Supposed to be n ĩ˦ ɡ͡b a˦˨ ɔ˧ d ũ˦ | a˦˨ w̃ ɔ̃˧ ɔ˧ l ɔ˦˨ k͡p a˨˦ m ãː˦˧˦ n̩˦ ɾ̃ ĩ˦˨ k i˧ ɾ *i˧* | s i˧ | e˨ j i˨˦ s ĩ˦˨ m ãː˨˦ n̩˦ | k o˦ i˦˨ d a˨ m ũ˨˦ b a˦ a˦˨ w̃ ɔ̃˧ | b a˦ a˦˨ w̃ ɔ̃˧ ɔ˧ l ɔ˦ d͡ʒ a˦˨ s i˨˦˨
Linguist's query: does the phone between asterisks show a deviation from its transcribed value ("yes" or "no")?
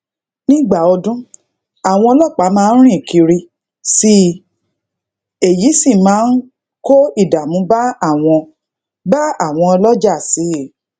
no